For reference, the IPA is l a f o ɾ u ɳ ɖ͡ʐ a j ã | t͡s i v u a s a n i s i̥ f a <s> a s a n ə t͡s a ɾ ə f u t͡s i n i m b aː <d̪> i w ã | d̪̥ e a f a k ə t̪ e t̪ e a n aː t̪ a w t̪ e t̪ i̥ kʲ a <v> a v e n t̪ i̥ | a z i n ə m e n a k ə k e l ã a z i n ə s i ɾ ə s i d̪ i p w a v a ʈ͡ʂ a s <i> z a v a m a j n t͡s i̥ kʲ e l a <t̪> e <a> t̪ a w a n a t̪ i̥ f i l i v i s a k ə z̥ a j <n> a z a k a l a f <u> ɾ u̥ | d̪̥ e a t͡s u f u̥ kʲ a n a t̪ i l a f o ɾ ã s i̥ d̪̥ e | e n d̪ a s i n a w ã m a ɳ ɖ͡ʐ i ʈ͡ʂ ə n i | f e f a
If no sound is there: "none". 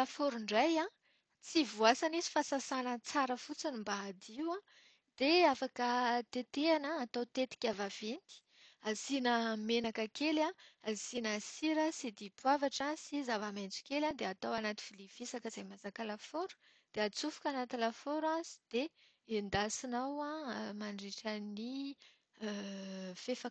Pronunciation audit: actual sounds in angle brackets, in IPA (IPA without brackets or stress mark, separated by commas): s, d̪, v, i, d̪, a, m, o